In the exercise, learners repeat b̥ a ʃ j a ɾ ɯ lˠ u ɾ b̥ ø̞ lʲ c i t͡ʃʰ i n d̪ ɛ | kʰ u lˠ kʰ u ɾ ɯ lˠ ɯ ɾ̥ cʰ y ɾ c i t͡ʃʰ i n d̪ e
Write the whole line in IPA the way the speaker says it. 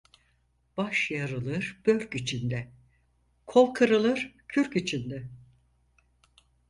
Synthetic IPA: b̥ a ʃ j a ɾ ɯ lˠ ɯ ɾ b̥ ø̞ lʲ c i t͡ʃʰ i n d̪ ɛ | kʰ o lˠ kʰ ɯ ɾ ɯ lˠ ɯ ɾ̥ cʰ y ɾ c i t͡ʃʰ i n d̪ ɛ